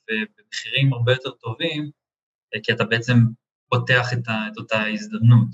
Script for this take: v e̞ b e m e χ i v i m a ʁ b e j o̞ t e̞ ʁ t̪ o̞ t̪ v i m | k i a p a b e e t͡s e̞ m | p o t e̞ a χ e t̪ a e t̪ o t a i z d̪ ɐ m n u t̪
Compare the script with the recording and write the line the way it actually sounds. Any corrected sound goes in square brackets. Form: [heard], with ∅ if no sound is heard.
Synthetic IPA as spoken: v e̞ b e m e χ i [ʁ] i m a ʁ b e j o̞ t e̞ ʁ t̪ o̞ [∅] v i m | k i a [t] a b e e t͡s e̞ m | p o t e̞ a χ e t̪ a e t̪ o t a i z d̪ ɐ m n u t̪